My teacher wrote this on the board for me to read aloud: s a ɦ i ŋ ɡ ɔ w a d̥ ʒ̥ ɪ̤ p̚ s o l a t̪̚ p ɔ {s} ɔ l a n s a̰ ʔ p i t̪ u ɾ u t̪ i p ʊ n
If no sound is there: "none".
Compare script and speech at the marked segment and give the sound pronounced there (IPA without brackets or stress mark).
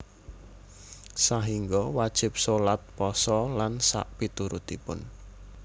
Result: s